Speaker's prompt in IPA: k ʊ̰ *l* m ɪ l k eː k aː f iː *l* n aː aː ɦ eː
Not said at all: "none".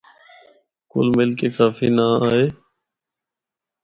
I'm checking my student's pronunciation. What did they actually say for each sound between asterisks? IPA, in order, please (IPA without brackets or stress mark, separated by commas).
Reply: l, none